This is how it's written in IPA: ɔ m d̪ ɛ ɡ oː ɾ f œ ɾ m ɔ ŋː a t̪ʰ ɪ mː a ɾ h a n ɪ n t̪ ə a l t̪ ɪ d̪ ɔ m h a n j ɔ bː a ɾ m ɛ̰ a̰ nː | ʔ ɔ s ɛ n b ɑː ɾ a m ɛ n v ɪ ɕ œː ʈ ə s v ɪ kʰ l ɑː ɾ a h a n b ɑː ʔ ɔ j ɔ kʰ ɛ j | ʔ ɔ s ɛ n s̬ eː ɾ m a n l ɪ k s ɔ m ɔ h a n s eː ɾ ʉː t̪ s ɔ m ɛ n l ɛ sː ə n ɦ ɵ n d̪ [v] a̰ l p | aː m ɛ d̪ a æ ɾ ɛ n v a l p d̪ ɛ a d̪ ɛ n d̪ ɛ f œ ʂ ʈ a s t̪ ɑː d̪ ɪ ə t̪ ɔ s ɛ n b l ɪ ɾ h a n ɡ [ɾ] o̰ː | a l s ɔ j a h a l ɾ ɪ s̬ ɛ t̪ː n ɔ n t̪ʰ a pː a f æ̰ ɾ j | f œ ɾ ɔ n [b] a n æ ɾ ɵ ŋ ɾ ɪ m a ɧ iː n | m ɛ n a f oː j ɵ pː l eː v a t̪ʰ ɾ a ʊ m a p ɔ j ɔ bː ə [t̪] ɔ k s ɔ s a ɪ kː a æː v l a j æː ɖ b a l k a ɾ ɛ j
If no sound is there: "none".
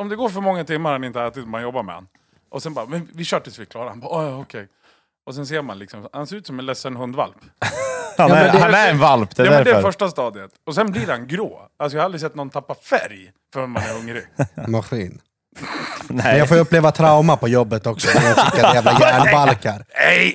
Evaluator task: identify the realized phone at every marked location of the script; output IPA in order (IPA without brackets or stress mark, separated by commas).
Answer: v, ɾ, m, t̪